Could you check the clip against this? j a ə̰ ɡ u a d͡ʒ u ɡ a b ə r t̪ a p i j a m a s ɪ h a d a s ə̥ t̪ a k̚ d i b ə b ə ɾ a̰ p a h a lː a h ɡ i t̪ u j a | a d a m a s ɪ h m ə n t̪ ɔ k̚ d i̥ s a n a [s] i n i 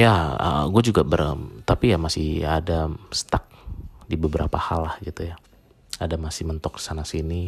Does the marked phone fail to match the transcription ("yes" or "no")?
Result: no